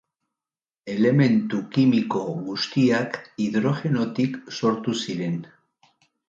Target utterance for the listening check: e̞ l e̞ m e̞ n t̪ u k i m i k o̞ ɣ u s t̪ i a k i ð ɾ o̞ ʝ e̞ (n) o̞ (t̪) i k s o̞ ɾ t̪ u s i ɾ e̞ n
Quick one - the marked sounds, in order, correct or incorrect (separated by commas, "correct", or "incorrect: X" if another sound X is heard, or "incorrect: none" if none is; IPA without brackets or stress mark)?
correct, correct